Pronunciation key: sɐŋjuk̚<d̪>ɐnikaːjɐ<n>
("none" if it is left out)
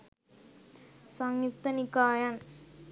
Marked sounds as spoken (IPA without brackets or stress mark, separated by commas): t̪, n